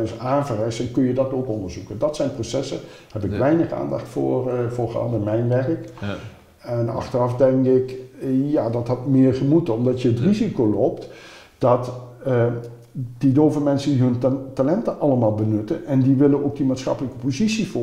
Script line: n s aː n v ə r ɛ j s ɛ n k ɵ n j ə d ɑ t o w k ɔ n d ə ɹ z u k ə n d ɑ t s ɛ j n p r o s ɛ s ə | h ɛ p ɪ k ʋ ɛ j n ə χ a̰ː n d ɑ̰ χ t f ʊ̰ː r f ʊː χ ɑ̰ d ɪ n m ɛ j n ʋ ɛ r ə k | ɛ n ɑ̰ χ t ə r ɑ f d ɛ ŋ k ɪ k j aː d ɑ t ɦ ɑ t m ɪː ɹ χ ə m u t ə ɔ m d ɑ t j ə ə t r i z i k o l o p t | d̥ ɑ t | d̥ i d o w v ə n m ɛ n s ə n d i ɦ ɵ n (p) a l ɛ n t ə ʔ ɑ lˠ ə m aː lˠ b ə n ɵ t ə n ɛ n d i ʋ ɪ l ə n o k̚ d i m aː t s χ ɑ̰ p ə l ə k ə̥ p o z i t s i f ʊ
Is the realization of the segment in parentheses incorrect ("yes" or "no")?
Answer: yes